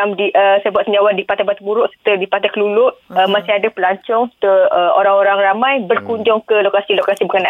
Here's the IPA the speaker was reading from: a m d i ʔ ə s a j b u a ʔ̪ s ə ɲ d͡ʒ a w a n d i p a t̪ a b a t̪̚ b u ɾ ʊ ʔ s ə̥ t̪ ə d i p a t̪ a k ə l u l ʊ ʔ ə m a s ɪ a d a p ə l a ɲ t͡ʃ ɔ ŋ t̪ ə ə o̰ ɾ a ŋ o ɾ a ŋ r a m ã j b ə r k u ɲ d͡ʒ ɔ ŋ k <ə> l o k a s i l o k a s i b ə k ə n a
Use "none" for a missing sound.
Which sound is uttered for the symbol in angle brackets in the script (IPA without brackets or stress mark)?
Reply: ə